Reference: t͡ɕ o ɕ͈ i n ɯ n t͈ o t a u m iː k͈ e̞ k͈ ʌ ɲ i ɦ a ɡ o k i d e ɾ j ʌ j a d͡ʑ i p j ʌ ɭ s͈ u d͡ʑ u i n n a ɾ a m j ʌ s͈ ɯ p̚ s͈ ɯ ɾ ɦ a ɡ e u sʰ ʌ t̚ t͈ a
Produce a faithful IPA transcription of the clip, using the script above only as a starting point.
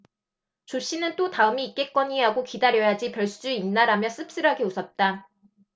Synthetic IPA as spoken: t͡ɕ o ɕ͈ i n ɯ n t͈ o t a ɯ m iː k͈ e̞ k͈ ʌ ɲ i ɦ a ɡ o k i d a ɾ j ʌ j a d͡ʑ i p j ʌ ɭ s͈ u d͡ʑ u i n n a ɾ a m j ʌ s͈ ɯ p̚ s͈ ɯ ɾ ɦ a ɡ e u sʰ ʌ t̚ t͈ a